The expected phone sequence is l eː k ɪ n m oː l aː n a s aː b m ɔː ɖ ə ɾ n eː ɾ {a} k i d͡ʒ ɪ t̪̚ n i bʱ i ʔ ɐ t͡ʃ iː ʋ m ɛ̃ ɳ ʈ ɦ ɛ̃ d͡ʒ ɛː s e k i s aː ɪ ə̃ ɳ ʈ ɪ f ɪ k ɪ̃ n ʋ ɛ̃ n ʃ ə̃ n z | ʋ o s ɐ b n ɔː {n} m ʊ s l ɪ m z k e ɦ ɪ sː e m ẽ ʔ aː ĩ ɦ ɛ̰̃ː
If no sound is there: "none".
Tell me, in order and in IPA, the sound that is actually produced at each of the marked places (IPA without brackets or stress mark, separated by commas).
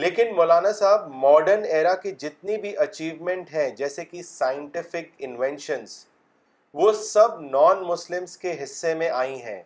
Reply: a, n